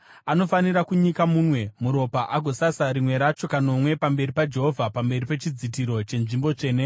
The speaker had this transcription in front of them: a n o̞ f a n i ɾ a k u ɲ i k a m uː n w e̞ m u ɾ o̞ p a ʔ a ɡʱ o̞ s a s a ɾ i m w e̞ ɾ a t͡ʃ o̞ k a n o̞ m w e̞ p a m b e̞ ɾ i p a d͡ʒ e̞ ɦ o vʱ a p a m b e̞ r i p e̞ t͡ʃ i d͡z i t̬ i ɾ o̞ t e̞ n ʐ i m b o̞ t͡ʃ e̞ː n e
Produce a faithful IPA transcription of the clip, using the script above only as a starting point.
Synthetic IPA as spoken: a n o̞ f a n i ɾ a k u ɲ i k a m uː n w e̞ m u ɾ o̞ p a ʔ a ɡʱ o̞ s a s a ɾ i m w e̞ ɾ a t͡ʃ o̞ k a n o̞ m w e̞ p a m b e̞ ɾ i p a d͡ʒ e̞ ɦ o vʱ a p a m b e̞ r i p e̞ t͡ʃ i d͡z i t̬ i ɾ o̞ t͡ʃ e̞ n ʐ i m b o̞ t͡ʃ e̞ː n e